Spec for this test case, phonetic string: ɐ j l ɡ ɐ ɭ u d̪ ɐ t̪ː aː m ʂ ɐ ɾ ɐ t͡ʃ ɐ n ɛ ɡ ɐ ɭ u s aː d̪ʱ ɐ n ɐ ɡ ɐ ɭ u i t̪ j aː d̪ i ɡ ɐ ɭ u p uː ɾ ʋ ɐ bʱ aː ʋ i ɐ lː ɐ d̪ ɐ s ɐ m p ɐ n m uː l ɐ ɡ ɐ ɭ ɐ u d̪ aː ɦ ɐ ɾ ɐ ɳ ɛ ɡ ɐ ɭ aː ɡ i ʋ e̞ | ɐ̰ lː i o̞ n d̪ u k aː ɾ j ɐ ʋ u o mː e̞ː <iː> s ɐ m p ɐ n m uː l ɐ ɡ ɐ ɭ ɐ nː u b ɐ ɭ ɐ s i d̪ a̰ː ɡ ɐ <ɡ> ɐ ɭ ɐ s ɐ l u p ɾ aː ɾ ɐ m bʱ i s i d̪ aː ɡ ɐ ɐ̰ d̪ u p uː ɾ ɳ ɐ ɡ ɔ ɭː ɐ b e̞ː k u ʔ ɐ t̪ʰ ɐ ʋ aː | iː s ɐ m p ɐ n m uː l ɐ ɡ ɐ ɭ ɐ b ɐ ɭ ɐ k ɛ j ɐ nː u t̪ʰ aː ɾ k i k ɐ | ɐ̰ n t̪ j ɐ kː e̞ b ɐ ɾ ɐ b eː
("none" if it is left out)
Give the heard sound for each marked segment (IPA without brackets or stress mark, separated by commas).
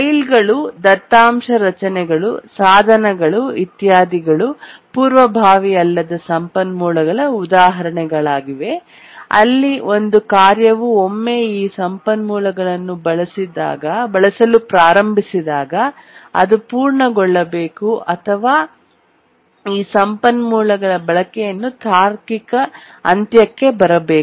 iː, b